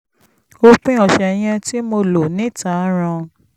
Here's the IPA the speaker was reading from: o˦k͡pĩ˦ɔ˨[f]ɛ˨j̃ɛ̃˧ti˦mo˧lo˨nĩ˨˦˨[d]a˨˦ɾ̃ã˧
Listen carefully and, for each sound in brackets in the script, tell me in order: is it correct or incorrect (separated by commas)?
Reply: incorrect, incorrect